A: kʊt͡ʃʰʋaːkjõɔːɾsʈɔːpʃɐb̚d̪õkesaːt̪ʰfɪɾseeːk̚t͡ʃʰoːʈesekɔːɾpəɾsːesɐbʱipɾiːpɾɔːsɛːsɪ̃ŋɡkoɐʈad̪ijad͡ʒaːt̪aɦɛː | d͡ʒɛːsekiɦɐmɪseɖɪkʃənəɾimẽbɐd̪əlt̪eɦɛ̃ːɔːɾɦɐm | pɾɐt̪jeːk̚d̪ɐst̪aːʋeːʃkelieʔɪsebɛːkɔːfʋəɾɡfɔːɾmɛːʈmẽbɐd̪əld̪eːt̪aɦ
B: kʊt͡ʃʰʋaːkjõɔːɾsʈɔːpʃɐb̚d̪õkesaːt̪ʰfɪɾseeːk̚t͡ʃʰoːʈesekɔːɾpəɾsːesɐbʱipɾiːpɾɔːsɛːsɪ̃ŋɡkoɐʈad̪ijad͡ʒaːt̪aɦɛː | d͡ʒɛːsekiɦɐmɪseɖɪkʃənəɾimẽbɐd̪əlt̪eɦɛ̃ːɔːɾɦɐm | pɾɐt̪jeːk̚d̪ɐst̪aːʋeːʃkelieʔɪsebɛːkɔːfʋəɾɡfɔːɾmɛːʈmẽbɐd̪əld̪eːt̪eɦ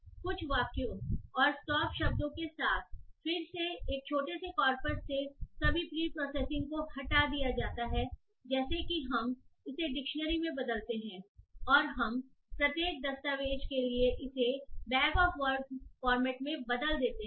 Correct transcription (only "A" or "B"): B